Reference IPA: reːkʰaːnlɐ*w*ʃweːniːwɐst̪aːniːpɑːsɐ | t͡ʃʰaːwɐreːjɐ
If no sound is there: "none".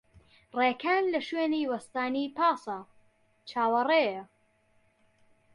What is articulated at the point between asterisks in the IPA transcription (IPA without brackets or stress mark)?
none